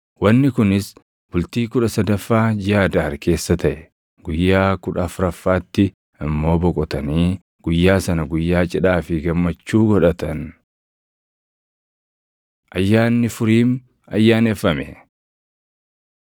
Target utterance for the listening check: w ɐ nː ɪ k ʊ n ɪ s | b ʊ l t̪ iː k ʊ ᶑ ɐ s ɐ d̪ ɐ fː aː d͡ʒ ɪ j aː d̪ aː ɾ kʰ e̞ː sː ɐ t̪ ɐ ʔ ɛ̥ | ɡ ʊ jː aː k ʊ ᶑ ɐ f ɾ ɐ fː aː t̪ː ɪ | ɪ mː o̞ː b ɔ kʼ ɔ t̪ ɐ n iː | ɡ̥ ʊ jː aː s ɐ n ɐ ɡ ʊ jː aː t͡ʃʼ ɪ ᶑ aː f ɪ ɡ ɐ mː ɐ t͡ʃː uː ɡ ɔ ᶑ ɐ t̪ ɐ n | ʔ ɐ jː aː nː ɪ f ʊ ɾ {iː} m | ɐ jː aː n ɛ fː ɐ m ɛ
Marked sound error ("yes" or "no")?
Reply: no